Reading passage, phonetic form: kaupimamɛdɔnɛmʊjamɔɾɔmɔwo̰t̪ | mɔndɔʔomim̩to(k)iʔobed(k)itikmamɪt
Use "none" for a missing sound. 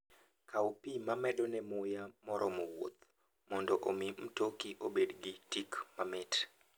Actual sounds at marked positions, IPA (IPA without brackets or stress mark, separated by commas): k, ɡ